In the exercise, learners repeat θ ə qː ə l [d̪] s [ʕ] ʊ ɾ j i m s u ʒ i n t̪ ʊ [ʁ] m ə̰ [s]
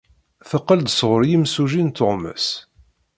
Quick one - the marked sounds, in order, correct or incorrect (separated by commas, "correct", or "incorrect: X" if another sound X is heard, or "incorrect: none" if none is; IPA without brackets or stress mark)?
correct, incorrect: ʁ, correct, correct